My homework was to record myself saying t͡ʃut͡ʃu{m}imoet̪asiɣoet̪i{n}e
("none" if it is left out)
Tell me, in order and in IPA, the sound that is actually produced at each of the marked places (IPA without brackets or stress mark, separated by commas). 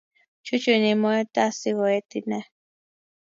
n, n